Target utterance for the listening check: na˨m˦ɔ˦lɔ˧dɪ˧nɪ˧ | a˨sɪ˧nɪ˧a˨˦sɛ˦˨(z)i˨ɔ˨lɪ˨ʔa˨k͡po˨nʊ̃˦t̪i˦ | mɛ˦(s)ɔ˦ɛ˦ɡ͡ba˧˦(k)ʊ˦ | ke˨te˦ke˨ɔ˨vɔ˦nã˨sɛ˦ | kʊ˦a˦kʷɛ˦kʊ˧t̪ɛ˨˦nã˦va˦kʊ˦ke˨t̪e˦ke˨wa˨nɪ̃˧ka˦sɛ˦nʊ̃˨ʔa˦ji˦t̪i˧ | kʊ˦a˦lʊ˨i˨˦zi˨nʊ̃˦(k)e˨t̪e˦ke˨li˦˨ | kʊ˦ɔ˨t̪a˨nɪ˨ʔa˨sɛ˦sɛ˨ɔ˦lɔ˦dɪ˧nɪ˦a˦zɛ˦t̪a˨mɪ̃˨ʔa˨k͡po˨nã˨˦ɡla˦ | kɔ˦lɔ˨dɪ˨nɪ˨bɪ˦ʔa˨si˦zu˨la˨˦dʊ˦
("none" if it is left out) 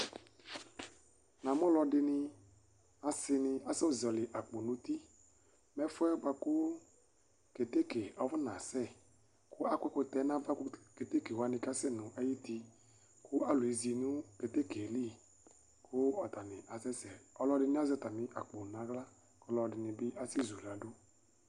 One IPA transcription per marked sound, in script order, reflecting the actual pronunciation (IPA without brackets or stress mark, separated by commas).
z, f, k, k